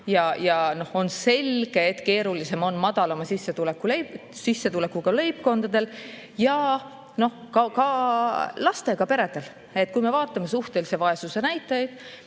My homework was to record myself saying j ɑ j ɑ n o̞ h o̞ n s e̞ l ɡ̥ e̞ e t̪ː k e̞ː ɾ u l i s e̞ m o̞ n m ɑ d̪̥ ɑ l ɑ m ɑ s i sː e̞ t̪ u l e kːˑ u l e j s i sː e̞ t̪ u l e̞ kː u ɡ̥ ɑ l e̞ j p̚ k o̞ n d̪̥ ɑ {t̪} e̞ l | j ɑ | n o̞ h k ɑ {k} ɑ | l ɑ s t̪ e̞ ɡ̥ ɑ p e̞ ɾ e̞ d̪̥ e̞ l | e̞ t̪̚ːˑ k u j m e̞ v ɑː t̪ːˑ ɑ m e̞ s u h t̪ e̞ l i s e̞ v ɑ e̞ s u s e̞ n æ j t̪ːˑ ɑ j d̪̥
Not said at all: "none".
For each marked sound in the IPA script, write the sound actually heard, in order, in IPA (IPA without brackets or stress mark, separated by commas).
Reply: d̪, k